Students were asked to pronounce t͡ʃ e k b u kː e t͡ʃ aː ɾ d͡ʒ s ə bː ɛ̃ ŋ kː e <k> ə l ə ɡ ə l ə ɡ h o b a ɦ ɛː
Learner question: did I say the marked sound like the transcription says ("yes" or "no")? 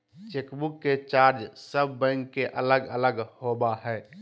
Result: no